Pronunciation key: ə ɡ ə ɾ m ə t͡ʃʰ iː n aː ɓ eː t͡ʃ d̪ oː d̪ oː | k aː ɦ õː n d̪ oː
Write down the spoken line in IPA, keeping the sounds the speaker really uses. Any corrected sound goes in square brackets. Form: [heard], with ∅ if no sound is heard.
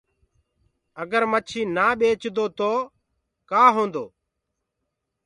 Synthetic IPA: ə ɡ ə ɾ m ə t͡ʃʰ iː n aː ɓ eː t͡ʃ d̪ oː [t̪] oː | k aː ɦ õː n d̪ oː